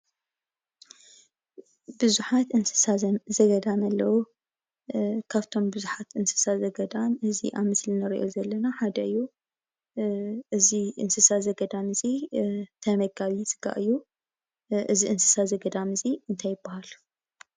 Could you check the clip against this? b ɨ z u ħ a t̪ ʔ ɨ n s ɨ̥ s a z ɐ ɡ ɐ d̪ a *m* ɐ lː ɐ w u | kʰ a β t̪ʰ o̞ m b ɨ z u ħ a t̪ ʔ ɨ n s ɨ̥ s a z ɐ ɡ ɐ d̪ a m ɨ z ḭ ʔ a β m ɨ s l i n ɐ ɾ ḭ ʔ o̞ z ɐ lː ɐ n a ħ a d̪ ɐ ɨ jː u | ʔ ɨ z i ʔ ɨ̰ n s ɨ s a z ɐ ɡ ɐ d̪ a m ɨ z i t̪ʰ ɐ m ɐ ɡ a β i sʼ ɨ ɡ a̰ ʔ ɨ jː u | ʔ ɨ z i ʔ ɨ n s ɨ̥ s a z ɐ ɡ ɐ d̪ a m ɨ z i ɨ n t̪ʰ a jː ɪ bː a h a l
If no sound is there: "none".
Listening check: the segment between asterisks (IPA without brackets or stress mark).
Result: m